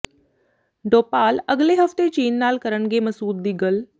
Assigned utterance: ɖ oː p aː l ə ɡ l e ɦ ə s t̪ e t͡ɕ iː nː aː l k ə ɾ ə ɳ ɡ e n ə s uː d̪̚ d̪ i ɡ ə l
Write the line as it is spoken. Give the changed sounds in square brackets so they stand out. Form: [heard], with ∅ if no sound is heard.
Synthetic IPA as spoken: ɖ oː p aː l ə ɡ l e ɦ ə [f] t̪ e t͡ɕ iː nː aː l k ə ɾ ə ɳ ɡ e [m] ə s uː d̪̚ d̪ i ɡ ə l